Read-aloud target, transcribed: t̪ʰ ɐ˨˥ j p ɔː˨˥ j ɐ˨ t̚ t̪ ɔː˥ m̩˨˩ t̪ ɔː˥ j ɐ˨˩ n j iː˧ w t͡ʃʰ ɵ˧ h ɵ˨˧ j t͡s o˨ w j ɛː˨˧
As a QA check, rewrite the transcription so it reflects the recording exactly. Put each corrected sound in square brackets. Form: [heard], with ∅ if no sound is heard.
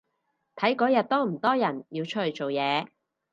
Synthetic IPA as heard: t̪ʰ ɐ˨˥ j [k] ɔː˨˥ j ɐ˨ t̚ t̪ ɔː˥ m̩˨˩ t̪ ɔː˥ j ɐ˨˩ n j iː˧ w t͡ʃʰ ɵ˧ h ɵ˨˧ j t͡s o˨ w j ɛː˨˧